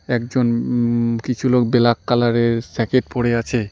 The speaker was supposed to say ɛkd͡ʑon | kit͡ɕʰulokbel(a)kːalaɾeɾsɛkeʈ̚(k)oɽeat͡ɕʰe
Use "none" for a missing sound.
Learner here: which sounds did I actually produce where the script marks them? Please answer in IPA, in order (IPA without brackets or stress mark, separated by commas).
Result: a, p